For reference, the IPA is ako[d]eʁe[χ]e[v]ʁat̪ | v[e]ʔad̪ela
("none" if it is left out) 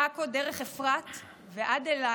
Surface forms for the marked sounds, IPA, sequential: d, χ, f, e

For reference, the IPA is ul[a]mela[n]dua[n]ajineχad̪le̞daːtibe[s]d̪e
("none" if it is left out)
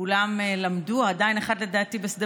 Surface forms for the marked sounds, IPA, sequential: a, m, d, s

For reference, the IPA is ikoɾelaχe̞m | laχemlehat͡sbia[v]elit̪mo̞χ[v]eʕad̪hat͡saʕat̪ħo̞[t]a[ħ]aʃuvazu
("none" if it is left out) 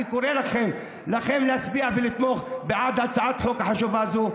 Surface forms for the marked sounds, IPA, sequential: v, b, k, ħ

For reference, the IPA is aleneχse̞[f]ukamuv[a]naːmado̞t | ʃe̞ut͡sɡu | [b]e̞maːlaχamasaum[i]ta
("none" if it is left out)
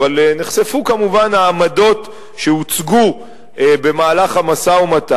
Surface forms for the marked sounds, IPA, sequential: f, a, b, a

